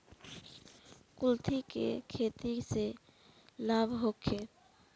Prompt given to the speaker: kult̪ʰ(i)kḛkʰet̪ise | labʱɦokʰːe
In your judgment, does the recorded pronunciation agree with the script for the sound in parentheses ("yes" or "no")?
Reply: yes